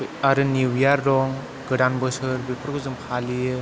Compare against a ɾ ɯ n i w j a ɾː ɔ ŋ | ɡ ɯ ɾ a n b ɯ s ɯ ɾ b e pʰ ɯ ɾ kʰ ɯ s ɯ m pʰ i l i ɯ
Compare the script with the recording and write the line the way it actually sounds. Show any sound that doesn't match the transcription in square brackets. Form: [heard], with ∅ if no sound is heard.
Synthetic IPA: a ɾ ɯ n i w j a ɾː ɔ ŋ | ɡ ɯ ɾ a n b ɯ s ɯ ɾ b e pʰ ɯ ɾ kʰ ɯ [z] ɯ m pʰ [a] l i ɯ